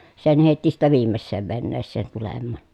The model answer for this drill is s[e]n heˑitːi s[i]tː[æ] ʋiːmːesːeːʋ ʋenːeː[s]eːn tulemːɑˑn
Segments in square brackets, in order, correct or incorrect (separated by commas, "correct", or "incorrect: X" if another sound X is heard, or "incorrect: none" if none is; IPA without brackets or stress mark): correct, correct, correct, incorrect: sː